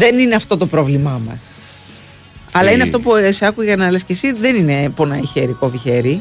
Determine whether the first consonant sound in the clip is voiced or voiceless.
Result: voiced